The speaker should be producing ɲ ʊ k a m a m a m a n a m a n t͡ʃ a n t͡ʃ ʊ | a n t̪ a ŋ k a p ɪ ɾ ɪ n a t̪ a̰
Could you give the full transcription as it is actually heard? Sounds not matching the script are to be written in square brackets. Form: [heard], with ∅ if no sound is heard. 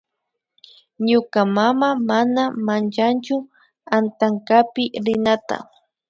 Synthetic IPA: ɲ ʊ k a m a m a m a n a m a n t͡ʃ a n t͡ʃ ʊ | a n t̪ a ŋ k a p ɪ ɾ ɪ n a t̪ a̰